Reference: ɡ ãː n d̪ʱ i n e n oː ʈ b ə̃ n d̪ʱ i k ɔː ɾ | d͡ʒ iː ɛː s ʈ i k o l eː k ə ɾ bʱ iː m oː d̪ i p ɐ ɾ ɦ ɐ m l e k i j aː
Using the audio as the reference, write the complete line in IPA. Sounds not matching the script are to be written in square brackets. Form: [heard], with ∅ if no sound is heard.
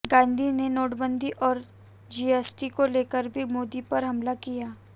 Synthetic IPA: ɡ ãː n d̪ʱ i n e n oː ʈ b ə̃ n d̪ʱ i [ʔ] ɔː ɾ | d͡ʒ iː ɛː s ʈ i k o l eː k ə ɾ bʱ [i] m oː d̪ i p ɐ ɾ ɦ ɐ m l [a] k i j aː